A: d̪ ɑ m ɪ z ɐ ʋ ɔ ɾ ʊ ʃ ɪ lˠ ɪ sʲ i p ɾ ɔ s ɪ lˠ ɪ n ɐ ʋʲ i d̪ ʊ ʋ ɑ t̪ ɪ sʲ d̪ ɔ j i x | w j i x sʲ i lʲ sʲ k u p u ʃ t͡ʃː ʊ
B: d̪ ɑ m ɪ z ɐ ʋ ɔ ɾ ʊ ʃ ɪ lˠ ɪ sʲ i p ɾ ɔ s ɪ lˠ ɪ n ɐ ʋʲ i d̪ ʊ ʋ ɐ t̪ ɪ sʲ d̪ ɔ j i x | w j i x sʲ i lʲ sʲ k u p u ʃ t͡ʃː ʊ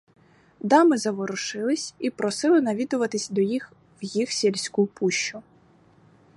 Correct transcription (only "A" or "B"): B